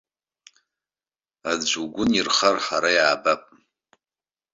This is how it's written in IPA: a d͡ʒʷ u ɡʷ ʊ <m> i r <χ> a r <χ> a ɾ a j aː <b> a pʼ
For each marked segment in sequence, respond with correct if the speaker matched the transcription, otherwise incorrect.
incorrect, correct, incorrect, correct

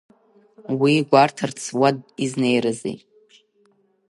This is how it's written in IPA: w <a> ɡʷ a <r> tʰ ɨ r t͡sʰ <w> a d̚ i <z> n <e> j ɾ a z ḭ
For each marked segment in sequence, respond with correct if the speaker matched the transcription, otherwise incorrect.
incorrect, correct, correct, correct, correct

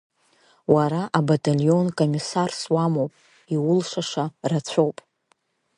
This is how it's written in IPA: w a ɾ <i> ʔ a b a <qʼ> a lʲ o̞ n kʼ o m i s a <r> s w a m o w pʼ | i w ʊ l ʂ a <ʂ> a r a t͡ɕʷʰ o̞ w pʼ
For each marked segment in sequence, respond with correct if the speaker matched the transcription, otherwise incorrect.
incorrect, incorrect, correct, correct

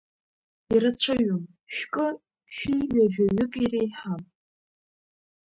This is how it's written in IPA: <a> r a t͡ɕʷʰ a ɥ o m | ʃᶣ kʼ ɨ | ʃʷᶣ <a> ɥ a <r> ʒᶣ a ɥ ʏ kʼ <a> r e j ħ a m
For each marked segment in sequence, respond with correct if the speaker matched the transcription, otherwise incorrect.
incorrect, incorrect, incorrect, incorrect

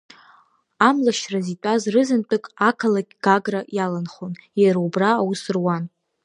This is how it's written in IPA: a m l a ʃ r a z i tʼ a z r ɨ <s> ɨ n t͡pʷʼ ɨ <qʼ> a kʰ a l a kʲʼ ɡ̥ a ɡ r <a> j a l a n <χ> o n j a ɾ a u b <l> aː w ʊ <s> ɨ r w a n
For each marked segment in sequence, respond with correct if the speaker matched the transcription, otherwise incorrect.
incorrect, incorrect, correct, correct, incorrect, correct

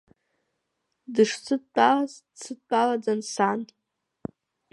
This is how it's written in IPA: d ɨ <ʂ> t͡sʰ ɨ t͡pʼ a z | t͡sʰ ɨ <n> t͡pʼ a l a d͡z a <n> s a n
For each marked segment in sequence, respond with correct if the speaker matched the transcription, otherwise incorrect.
correct, incorrect, correct

